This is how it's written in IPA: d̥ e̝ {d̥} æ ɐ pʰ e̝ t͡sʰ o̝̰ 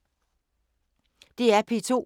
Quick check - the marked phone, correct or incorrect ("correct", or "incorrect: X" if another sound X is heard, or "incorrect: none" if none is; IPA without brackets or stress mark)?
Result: incorrect: none